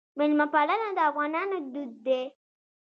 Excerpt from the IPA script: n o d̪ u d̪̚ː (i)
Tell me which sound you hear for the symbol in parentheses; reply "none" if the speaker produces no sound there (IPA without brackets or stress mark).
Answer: e